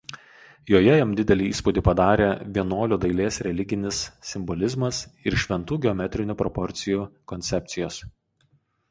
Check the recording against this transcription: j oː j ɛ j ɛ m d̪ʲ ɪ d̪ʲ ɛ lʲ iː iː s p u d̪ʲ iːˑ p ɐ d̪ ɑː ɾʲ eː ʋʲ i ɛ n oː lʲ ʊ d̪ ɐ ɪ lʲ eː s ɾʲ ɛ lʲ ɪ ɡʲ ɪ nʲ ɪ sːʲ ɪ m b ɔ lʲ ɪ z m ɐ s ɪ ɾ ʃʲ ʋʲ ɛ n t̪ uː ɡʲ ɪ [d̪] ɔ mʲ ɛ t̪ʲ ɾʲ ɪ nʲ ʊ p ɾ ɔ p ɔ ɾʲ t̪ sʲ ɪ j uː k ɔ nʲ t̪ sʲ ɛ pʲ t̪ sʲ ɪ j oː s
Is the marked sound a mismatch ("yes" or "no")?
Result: yes